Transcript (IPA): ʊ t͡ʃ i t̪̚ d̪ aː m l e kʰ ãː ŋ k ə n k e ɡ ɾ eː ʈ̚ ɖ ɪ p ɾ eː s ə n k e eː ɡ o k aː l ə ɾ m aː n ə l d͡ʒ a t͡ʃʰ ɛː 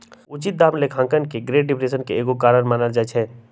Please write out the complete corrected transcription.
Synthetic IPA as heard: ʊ t͡ʃ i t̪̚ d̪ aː m l e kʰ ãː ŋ k ə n k e ɡ ɾ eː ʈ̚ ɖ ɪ p ɾ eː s ə n k e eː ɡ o k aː ɾ ə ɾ m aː n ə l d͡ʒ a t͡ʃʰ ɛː